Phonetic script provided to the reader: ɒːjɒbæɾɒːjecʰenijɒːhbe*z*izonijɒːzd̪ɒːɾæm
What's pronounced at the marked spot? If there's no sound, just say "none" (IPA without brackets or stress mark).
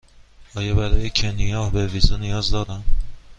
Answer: v